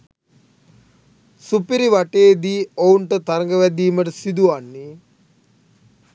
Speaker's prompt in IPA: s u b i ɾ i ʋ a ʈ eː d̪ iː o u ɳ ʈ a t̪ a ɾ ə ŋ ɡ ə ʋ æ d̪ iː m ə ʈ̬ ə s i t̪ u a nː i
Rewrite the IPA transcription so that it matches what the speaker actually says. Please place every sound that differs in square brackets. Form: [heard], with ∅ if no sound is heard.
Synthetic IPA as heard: s u [p] i ɾ i ʋ a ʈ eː d̪ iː o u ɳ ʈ [ə] t̪ a ɾ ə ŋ ɡ ə ʋ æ d̪ iː m ə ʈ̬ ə s i [d̪] u a nː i